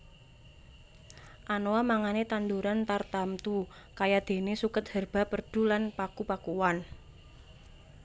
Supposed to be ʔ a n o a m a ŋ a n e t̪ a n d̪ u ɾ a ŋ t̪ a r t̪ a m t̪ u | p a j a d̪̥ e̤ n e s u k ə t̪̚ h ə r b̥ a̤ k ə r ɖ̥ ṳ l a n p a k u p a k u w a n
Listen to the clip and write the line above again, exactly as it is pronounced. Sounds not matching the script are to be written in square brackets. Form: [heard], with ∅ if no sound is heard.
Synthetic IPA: ʔ a n o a m a ŋ a n e t̪ a n d̪ u ɾ a [n] t̪ a r t̪ a m t̪ u | [k] a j a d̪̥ e̤ n e s u k ə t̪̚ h ə r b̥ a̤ [p] ə r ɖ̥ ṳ l a n p a k u p a k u w a n